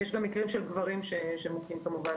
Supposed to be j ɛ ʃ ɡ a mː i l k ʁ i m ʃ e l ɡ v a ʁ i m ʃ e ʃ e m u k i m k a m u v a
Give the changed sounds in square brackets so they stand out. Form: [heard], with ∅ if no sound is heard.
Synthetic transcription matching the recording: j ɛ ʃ ɡ a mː i [∅] k ʁ i m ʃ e l ɡ v a ʁ i m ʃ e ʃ e m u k i m k a m u v a